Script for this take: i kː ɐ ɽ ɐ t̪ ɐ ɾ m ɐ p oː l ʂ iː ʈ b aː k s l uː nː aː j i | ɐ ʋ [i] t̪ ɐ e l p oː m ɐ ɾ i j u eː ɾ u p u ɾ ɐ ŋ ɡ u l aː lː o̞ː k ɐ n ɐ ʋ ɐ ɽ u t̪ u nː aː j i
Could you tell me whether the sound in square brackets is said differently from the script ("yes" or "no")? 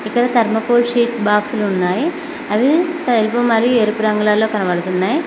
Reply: no